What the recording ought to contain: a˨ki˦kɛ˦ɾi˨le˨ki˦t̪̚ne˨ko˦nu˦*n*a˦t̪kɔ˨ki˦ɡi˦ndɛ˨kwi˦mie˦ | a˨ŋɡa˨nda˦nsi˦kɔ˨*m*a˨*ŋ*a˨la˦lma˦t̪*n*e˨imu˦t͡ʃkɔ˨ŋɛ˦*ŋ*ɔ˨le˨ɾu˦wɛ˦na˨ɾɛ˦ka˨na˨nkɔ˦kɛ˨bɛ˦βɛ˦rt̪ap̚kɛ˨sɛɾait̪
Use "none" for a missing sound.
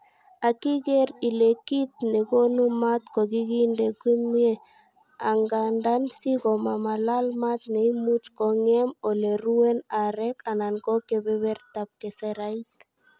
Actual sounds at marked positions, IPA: m, m, m, n, m

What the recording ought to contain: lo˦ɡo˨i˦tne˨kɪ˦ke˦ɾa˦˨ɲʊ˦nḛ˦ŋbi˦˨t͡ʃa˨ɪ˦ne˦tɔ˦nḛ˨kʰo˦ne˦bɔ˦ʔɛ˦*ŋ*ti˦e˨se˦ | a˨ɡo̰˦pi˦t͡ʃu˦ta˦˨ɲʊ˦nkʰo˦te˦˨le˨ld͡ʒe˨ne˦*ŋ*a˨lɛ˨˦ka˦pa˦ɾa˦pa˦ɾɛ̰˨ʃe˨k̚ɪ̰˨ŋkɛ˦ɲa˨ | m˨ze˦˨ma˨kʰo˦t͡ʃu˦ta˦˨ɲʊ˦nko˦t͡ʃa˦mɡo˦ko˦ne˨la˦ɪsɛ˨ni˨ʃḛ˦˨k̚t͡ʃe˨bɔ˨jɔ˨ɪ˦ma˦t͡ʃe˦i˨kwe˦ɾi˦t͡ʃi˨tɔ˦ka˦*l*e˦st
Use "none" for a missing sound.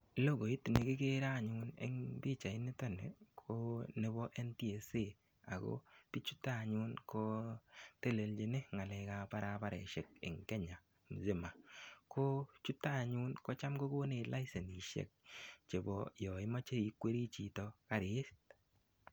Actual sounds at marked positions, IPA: n, ŋ, ɾ

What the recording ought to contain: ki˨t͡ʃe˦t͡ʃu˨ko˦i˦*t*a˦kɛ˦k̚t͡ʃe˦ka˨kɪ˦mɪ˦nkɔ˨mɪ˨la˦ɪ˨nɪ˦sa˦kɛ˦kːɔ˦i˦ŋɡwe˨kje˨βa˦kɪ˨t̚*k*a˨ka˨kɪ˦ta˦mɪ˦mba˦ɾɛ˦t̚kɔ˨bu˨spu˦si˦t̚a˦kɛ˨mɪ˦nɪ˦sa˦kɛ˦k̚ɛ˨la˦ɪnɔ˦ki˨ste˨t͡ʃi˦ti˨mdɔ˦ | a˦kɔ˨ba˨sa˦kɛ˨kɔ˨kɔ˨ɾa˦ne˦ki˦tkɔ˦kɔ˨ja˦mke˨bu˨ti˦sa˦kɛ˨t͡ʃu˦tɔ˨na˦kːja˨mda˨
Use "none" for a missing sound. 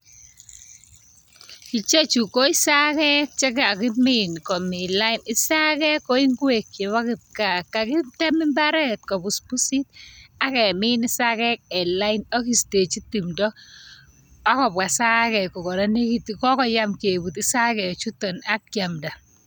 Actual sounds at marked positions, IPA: s, k

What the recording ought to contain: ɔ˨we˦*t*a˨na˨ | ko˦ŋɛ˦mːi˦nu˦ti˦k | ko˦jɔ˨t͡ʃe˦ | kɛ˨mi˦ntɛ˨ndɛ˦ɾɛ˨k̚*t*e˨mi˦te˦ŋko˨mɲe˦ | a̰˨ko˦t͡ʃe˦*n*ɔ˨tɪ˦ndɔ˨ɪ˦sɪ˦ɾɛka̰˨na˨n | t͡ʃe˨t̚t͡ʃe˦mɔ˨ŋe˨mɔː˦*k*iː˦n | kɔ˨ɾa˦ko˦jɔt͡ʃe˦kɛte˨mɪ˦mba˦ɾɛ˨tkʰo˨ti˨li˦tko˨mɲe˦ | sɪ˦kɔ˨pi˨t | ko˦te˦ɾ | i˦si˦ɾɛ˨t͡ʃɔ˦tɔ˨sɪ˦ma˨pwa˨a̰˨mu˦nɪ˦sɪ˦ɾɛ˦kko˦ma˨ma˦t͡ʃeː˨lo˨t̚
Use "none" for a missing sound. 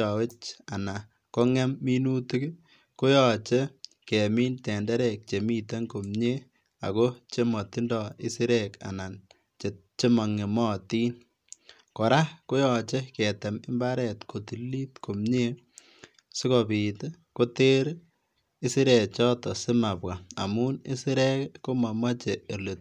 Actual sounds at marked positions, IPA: t͡ʃ, t͡ʃ, m, t

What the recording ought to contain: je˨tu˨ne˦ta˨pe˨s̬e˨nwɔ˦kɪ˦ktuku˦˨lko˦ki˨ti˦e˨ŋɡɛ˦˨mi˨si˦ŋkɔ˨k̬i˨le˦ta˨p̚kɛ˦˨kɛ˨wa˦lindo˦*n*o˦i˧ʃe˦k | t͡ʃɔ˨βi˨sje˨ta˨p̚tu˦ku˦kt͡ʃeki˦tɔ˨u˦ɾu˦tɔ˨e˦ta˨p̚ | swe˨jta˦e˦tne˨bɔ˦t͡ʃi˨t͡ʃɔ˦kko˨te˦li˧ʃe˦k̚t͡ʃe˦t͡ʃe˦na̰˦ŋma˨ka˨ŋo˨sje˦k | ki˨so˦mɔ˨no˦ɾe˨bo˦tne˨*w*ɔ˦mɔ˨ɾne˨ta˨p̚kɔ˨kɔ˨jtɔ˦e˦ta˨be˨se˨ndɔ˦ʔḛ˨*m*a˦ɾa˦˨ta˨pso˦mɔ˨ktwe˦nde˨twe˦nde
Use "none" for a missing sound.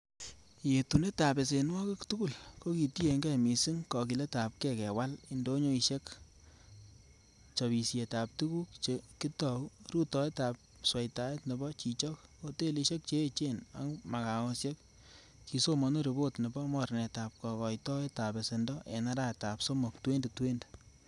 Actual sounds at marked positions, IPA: ɲ, b, n

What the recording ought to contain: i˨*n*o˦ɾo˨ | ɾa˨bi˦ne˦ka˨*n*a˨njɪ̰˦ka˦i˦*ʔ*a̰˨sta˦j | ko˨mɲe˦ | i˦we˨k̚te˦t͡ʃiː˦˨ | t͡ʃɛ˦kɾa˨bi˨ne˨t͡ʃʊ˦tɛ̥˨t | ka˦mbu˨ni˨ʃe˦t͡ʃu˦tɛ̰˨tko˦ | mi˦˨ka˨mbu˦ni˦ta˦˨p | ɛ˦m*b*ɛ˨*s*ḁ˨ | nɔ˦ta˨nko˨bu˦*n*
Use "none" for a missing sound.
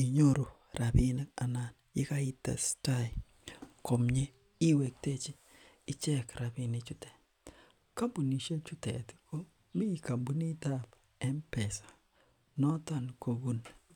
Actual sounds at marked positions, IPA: ɲ, n, t, p, s, n

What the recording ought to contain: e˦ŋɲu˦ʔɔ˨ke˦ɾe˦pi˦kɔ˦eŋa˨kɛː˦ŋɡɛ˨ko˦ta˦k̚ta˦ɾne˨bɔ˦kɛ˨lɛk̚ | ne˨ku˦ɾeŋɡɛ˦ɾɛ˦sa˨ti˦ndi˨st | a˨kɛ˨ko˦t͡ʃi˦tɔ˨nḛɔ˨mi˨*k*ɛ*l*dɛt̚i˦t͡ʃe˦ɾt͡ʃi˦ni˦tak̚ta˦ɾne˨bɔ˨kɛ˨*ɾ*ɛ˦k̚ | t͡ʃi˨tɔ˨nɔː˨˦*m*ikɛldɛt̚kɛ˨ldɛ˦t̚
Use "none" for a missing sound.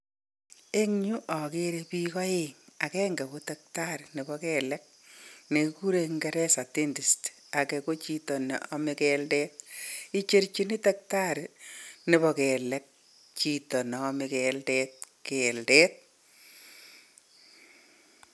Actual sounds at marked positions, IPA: k, l, l, m

